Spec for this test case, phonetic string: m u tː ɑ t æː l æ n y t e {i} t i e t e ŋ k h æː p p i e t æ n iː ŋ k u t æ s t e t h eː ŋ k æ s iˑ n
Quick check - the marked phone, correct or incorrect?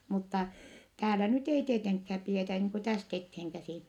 correct